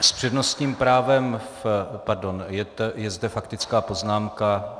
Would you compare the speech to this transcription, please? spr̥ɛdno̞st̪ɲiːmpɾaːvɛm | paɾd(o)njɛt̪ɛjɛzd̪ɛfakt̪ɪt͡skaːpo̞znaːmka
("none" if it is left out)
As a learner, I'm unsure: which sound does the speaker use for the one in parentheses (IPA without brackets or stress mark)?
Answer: o